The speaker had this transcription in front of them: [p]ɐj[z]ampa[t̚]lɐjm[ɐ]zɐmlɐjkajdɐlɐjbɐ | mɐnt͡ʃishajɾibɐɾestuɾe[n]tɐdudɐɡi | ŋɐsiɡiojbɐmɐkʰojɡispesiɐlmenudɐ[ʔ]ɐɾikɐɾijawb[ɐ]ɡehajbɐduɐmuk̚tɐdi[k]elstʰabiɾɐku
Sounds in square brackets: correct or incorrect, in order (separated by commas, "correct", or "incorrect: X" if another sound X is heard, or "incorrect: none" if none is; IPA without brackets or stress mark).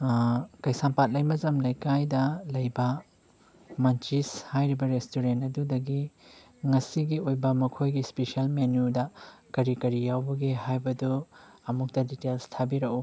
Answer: incorrect: k, incorrect: s, correct, correct, correct, incorrect: k, correct, incorrect: t